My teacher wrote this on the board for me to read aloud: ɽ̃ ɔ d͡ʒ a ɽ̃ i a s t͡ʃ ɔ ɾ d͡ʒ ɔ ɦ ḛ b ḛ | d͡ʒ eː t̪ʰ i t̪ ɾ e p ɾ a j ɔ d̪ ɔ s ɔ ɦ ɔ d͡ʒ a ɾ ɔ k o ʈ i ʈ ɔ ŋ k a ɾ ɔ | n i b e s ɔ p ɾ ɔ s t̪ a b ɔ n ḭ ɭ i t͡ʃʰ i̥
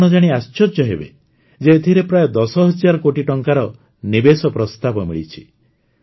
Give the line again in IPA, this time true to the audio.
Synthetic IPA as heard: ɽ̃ ɔ d͡ʒ a ɽ̃ i a s t͡ʃ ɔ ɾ d͡ʒ ɔ ɦ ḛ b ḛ | d͡ʒ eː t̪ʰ i ɾ e p ɾ a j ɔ d̪ ɔ s ɔ ɦ ɔ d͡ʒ a ɾ ɔ k o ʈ i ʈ ɔ ŋ k a ɾ ɔ | n i b e s ɔ p ɾ ɔ s t̪ a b ɔ m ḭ ɭ i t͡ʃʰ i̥

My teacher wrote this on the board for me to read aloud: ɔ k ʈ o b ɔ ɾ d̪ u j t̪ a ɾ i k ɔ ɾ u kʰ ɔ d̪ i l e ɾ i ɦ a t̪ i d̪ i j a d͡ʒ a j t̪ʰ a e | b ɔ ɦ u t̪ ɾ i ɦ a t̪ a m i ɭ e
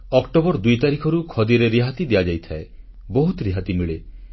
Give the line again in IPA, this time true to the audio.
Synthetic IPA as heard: ɔ k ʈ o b ɔ ɾ d̪ u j t̪ a ɾ i kʰ ɔ ɾ u kʰ ɔ d̪ i ɾ e ɾ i ɦ a t̪ i d̪ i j a d͡ʒ a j t̪ʰ a e | b ɔ ɦ u t̪ ɾ i ɦ a t̪ i m i ɭ e

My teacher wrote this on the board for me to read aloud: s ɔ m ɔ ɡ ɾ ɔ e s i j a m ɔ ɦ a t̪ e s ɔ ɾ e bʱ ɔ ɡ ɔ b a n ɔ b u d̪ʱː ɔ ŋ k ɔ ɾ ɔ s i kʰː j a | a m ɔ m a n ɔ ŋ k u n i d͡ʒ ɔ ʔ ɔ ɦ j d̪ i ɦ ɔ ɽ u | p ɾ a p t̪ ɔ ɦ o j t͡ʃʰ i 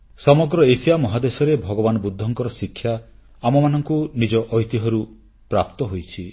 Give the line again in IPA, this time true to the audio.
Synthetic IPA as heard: s ɔ m ɔ ɡ ɾ ɔ e s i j a m ɔ ɦ a d̪ e s ɔ ɾ e bʱ ɔ ɡ ɔ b a n ɔ b u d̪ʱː ɔ ŋ k ɔ ɾ ɔ s i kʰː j a | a m ɔ m a n ɔ ŋ k u n i d͡ʒ ɔ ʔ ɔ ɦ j t̪ i ɦ ɔ ɾ u | p ɾ a p t̪ ɔ ɦ o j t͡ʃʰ i

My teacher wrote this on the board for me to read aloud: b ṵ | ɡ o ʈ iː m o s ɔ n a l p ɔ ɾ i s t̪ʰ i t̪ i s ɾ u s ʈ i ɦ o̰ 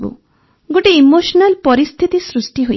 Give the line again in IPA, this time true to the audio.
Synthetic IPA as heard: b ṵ | ɡ o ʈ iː m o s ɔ n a l p ɔ ɾ i s t̪ʰ i t̪ i s ɾ u s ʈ i ɦ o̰

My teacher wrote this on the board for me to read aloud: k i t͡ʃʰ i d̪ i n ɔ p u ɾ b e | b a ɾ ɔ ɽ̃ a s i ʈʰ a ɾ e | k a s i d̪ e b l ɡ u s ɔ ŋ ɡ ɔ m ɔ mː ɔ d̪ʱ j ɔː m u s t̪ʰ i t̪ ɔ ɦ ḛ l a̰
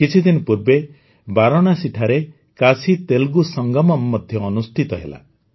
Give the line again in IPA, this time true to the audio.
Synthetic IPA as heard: k i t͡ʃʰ i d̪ i n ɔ p u ɾ b e | b a ɾ ɔ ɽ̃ a s i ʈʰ a ɾ e | k a s i t̪ e l ɡ u s ɔ ŋ ɡ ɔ m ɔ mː ɔ d̪ʱ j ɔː n u s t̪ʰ i t̪ ɔ ɦ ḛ l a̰

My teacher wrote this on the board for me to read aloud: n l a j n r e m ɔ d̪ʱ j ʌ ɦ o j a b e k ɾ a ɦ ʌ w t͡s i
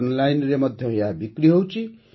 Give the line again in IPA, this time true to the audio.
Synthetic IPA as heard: n l a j n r e m ʌ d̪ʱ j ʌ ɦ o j a b i k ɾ i ɦ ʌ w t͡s i

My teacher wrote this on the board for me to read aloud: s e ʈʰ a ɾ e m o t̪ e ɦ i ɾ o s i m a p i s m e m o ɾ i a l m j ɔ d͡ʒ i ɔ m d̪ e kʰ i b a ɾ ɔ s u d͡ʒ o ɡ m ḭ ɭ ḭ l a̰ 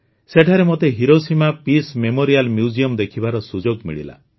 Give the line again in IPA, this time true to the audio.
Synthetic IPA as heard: s e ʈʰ a ɾ e m o t̪ e ɦ i ɾ o s i m a p i s m e m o ɾ i a l m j u d͡ʒ i ɔ m d̪ e kʰ i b a ɾ ɔ s u d͡ʒ o ɡ m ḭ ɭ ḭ l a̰

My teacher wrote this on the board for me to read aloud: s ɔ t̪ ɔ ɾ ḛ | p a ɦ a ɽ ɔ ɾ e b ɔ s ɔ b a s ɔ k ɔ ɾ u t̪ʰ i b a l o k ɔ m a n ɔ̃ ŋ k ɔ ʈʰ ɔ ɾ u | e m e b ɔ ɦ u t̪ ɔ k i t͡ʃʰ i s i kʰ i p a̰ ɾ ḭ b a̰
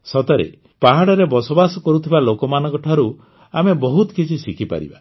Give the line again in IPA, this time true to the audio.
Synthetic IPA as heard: s ɔ t̪ ɔ ɾ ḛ | p a ɦ a ɽ ɔ ɾ e b ɔ s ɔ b a s ɔ k ɔ ɾ u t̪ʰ i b a l o k ɔ m a n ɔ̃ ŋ k ɔ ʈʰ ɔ ɾ u | a m e b ɔ ɦ u t̪ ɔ k i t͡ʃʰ i s i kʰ i p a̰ ɾ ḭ b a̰

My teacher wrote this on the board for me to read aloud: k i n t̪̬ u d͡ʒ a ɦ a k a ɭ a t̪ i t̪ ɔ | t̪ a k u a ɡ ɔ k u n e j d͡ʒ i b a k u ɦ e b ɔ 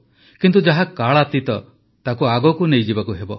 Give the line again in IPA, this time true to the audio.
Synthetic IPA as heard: k i n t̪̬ u d͡ʒ a ɦ a k a ɭ a t̪ i t̪ ɔ | t̪ a k u a ɡ ɔ k u n e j d͡ʒ i b a k u ɦ e b ɔ

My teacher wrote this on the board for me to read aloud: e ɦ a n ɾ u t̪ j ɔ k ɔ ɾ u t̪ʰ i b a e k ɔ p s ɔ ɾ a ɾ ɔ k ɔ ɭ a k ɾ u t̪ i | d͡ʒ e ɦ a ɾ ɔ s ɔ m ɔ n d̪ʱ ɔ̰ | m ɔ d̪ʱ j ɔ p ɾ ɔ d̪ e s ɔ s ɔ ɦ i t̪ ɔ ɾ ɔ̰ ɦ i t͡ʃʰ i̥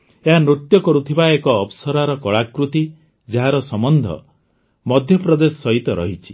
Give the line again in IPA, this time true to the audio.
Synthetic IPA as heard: e ɦ a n ɾ u t̪ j ɔ k ɔ ɾ u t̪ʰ i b a e k ɔː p s ɔ ɾ a ɾ ɔ k ɔ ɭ a k ɾ u t̪ i | d͡ʒ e ɦ a ɾ ɔ s ɔ m ɔ n d̪ʱ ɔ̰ | m ɔ d̪ʱ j ɔ p ɾ ɔ d̪ e s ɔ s ɔ ɦ i t̪ ɔ ɾ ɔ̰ ɦ i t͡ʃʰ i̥

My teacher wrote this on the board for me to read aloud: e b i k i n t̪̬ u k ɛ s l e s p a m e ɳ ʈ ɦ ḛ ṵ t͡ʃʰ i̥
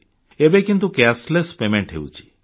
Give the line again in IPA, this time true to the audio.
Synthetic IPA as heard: e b e k i n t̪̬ u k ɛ s l e s p e m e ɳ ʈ ɦ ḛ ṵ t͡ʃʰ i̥

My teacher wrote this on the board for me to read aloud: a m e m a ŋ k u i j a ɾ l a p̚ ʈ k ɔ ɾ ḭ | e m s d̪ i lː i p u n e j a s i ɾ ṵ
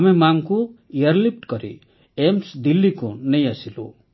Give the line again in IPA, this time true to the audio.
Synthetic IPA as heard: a m e m a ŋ k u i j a ɾ l i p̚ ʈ k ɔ ɾ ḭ | e m s d̪ i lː i k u n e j a s i l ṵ

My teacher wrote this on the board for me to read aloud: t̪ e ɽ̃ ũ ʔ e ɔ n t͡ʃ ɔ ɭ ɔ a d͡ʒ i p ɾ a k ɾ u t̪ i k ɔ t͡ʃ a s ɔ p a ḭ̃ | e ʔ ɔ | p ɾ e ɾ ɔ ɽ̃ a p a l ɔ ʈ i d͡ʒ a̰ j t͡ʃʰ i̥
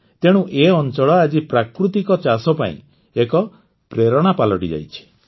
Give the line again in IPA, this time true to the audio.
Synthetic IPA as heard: t̪ e ɽ̃ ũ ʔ e ɔ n t͡ʃ ɔ ɭ ɔ a d͡ʒ i p ɾ a k ɾ u t̪ i k ɔ t͡ʃ a s ɔ p a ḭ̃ | e k ɔ | p ɾ e ɾ ɔ ɽ̃ a p a l ɔ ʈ i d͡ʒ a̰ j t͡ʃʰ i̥

